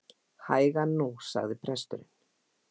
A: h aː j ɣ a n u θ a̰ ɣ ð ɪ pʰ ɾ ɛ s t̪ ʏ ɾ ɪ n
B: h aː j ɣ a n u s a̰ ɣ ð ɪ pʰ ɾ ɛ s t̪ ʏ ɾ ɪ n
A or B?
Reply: B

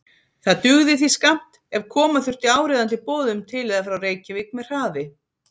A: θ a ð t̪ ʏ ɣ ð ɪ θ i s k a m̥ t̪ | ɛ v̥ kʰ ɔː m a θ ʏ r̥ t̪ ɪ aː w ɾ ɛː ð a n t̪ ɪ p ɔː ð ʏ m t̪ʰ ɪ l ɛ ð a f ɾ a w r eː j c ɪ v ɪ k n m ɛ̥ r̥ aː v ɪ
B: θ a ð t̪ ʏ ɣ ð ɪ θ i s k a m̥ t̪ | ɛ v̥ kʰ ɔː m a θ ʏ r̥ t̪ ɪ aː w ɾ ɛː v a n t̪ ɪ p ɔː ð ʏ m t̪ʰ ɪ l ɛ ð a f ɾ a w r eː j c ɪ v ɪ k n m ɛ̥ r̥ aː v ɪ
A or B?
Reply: A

